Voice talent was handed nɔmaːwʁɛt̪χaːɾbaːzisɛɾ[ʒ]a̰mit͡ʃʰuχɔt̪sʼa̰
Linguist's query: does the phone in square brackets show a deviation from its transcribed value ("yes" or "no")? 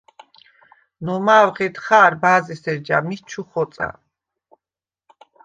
yes